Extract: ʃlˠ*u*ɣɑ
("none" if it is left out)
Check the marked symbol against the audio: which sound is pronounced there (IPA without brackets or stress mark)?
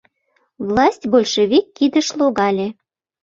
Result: o